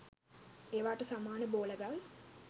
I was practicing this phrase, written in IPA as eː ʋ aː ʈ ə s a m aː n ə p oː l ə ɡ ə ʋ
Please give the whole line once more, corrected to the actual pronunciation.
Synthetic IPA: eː ʋ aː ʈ ə s a m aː n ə b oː l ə ɡ a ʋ